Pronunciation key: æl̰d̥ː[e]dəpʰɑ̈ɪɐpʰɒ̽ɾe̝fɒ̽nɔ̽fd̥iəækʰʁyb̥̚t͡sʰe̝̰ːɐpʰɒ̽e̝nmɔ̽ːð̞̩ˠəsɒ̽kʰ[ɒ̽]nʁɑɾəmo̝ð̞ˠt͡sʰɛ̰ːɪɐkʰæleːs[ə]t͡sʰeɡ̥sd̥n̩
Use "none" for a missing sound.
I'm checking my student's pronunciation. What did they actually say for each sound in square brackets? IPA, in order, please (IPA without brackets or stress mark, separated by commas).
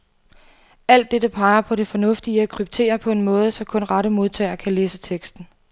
e, ɔ̽, ə